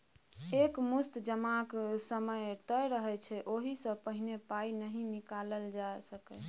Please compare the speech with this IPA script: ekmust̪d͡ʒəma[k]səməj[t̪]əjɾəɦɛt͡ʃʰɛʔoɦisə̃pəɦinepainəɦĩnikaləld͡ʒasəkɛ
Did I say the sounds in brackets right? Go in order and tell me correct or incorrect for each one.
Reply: correct, correct

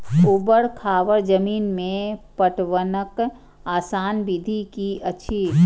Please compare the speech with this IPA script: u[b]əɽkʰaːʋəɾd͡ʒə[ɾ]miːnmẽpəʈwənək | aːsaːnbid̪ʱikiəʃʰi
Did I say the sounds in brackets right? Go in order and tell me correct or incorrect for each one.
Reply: correct, incorrect

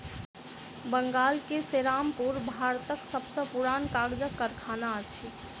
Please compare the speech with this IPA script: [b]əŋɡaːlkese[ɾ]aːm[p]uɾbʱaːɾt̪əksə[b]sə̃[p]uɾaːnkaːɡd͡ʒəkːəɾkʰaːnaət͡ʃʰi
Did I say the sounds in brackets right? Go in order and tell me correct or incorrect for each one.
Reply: correct, correct, correct, correct, correct

